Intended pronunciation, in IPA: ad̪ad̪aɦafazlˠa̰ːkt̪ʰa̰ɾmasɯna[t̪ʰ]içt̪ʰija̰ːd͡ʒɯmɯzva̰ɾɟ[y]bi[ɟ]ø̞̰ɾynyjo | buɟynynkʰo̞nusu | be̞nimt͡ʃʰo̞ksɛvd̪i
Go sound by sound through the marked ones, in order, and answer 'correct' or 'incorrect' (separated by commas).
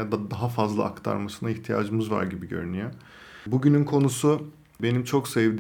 incorrect, incorrect, correct